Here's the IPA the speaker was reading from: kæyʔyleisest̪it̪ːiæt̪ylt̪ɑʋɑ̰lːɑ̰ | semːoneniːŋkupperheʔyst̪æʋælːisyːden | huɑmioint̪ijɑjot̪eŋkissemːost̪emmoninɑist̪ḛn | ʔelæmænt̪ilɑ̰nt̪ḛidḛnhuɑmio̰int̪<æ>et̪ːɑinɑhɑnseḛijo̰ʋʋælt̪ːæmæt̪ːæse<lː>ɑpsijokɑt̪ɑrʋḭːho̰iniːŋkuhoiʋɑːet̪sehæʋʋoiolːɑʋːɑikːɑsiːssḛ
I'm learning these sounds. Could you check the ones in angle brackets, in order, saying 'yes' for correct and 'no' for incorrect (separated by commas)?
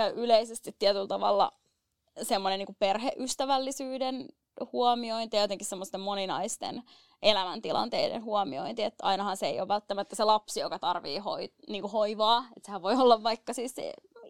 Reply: no, no